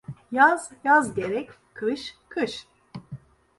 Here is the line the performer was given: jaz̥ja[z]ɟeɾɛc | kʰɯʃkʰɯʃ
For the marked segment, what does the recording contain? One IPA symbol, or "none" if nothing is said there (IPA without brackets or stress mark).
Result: z